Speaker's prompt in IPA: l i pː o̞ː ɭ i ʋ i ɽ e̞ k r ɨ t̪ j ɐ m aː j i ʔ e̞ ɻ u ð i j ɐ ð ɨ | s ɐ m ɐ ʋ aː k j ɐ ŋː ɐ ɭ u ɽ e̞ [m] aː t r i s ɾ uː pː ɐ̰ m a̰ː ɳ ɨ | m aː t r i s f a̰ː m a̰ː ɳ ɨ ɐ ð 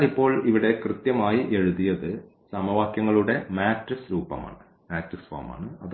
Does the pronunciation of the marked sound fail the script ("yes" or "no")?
no